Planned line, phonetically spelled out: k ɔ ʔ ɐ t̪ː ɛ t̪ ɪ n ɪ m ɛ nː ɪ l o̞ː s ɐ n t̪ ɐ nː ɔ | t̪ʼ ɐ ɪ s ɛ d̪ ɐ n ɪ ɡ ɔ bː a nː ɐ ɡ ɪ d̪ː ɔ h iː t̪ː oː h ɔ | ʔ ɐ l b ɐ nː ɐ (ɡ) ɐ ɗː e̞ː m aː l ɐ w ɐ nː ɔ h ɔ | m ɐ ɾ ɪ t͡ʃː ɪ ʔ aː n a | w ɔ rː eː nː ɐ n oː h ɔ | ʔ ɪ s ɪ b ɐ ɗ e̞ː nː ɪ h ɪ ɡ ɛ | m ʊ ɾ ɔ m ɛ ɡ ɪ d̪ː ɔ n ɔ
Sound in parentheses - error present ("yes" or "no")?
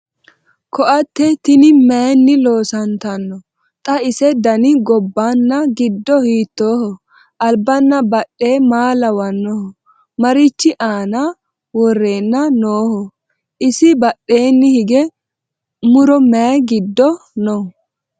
yes